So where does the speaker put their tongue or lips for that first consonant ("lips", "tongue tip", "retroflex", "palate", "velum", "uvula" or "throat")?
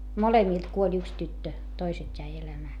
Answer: lips